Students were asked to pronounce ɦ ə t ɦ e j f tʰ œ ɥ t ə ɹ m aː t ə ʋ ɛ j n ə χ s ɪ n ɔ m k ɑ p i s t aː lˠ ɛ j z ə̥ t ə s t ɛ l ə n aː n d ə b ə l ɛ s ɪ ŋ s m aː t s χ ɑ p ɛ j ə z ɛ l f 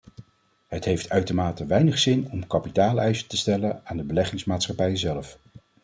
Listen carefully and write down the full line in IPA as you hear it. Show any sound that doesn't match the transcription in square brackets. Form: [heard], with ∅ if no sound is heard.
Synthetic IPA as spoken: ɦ ə t ɦ e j f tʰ œ ɥ t ə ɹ m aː t ə ʋ ɛ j n ə χ s ɪ n ɔ m k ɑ p i [∅] t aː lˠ ɛ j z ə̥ t ə s t ɛ l ə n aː n d ə b ə l ɛ [χ] ɪ ŋ s m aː t s χ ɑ p ɛ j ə z ɛ l f